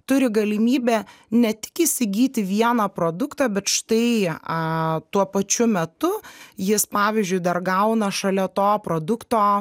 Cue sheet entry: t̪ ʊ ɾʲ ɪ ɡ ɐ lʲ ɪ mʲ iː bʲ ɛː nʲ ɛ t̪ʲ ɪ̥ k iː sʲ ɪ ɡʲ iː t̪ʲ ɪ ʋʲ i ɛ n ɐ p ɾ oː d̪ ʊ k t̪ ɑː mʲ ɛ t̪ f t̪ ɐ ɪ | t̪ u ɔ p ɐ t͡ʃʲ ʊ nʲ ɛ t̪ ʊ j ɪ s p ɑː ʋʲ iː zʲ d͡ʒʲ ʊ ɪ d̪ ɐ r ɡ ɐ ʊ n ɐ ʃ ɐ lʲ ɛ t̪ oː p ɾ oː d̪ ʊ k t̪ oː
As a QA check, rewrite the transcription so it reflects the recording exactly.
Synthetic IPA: t̪ ʊ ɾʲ ɪ ɡ ɐ lʲ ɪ mʲ iː bʲ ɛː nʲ ɛ t̪ʲ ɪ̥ k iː sʲ ɪ ɡʲ iː t̪ʲ ɪ ʋʲ i ɛ n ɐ p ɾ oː d̪ ʊ k t̪ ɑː bʲ ɛ t̪ ʃ t̪ ɐ ɪ | t̪ u ɔ p ɐ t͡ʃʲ ʊ mʲ ɛ t̪ ʊ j ɪ s p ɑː ʋʲ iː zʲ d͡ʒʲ ʊ ɪ d̪ ɐ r ɡ ɐ ʊ n ɐ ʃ ɐ lʲ ɛ t̪ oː p ɾ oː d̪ ʊ k t̪ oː